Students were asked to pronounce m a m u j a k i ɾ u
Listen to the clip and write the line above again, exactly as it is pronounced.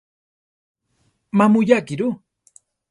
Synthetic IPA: m a m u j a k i ɾ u